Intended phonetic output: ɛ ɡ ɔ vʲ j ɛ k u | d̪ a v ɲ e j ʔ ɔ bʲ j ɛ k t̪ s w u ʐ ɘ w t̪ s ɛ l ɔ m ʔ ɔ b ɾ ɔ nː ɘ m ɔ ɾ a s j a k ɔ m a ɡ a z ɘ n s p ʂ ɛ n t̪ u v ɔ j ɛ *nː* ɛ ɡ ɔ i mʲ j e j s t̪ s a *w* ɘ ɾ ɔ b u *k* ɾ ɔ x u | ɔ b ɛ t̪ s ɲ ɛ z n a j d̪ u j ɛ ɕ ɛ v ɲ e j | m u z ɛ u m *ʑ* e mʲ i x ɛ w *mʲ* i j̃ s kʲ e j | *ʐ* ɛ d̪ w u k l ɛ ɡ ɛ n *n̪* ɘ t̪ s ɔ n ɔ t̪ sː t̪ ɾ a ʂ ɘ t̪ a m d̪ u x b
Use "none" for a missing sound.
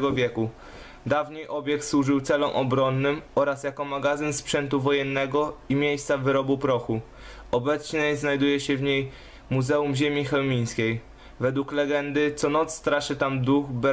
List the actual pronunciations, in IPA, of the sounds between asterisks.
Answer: nː, v, p, ʑ, mʲ, v, d̪

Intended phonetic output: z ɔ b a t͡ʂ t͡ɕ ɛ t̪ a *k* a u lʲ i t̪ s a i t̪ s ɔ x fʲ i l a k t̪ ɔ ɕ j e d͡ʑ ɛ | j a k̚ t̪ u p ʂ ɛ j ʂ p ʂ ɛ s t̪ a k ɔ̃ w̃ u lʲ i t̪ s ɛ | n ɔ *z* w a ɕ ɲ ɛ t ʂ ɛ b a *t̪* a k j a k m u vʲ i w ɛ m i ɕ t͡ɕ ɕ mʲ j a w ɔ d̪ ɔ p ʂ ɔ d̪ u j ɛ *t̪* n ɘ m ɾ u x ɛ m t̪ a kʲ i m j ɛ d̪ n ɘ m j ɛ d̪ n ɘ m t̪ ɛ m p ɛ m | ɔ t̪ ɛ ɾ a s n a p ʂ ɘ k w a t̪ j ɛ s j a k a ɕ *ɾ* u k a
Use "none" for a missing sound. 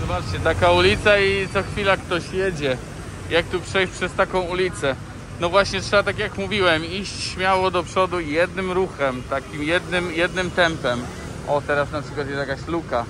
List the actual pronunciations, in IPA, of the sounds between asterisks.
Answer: k, v, t̪, d̪, l

